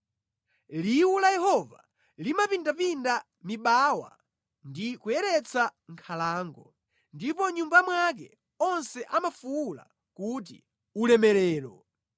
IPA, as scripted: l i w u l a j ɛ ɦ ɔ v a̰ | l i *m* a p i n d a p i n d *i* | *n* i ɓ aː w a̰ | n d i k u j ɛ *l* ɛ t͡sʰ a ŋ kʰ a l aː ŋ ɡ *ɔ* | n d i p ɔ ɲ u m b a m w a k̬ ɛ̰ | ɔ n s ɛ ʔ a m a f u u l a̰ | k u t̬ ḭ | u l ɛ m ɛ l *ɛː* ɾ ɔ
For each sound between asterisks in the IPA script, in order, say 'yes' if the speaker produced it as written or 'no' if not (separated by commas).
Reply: yes, no, no, no, yes, yes